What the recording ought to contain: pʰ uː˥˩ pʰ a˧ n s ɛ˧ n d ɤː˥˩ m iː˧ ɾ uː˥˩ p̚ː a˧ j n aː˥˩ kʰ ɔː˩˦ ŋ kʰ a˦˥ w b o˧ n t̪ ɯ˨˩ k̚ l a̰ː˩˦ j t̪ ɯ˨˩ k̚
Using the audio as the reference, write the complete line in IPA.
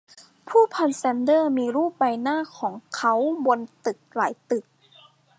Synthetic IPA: pʰ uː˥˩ pʰ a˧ n s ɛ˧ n d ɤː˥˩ m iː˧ ɾ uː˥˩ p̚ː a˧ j n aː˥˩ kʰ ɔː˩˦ ŋ kʰ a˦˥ w b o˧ n t̪ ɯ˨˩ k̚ l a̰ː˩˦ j t̪ ɯ˨˩ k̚